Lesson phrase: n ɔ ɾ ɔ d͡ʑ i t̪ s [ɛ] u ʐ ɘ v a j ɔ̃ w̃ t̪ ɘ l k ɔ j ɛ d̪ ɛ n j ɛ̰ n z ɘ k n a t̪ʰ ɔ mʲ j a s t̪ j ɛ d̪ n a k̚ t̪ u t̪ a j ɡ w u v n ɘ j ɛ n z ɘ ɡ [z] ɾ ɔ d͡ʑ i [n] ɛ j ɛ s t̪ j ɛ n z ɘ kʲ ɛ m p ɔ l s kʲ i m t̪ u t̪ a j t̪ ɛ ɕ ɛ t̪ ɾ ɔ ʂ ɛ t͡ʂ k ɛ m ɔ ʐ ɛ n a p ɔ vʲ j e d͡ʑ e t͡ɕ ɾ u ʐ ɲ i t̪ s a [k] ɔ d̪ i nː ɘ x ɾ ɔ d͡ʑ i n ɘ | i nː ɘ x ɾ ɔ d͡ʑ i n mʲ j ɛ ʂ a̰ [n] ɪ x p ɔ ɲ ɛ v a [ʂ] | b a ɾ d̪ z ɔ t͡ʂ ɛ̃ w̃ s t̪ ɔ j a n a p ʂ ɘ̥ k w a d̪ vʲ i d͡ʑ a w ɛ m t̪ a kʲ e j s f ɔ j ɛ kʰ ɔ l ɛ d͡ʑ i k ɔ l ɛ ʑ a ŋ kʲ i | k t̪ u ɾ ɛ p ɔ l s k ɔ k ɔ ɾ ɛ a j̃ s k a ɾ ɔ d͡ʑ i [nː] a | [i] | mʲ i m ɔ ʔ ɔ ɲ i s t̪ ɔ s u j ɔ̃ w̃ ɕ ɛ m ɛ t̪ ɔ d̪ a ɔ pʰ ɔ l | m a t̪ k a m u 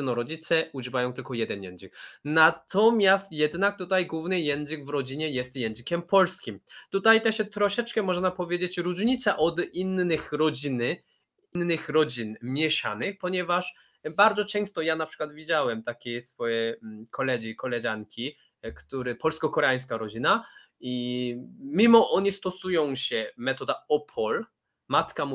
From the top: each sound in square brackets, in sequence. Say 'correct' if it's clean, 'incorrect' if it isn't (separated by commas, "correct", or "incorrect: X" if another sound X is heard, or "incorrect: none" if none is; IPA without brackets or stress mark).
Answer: correct, incorrect: v, incorrect: ɲ, incorrect: ʔ, correct, correct, incorrect: n, correct